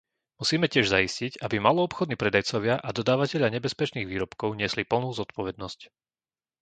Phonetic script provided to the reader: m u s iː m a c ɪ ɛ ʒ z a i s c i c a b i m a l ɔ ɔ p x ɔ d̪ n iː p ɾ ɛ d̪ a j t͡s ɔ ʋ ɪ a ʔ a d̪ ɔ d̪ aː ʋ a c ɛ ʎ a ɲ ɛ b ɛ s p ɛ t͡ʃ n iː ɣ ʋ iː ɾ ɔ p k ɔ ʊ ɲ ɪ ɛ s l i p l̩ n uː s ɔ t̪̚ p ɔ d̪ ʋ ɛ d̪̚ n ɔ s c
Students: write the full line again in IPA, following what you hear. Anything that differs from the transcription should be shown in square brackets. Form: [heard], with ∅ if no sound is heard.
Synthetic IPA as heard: m u s iː m [ɛ] c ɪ ɛ ʒ z a i s c i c a b i m a l ɔ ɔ p x ɔ d̪ n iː p ɾ ɛ d̪ a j t͡s ɔ ʋ ɪ a ʔ a d̪ ɔ d̪ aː ʋ a c ɛ ʎ a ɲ ɛ b ɛ s p ɛ t͡ʃ n iː ɣ ʋ iː ɾ ɔ p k ɔ ʊ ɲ ɪ ɛ s l i p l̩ n uː [z] ɔ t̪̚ p ɔ [∅] ʋ ɛ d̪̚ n ɔ s c